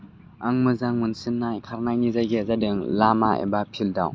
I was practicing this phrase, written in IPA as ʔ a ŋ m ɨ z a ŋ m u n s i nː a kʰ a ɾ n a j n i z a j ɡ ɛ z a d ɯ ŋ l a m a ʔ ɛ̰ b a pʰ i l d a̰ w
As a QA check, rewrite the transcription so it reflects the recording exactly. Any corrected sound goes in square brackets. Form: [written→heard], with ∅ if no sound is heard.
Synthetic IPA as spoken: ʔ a ŋ m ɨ z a ŋ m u n s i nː a kʰ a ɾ n a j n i z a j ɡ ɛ z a d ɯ ŋ l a m a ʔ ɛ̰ b a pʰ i l d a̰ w